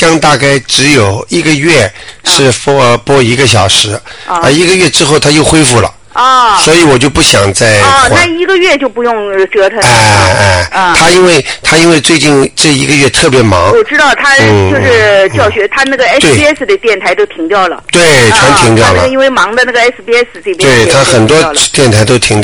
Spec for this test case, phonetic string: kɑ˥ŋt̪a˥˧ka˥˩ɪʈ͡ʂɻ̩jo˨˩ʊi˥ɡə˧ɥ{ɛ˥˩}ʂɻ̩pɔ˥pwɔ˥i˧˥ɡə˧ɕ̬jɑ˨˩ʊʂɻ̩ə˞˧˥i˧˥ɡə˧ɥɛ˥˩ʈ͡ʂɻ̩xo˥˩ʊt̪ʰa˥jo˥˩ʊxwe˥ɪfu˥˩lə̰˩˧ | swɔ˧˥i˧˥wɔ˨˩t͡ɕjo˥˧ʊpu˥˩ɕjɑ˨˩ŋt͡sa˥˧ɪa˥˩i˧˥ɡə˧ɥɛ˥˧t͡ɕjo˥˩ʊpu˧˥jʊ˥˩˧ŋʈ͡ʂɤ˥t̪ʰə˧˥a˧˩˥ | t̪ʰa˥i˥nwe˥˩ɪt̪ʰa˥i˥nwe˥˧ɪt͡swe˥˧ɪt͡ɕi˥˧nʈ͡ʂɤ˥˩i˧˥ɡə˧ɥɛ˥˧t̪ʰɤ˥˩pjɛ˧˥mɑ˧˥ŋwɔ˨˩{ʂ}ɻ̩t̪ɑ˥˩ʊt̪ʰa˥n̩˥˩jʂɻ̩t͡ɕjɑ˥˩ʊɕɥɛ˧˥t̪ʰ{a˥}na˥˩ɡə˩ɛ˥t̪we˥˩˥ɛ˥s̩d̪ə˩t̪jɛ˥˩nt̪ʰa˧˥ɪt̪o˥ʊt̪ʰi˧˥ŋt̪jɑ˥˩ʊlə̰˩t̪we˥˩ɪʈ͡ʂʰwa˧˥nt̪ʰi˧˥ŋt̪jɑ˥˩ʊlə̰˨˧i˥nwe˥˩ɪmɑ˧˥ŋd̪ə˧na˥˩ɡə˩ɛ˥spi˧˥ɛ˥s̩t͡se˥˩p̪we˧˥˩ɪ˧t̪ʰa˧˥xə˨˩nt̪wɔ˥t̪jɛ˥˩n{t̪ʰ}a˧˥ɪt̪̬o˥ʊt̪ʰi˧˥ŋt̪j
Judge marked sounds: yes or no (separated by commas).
yes, no, yes, yes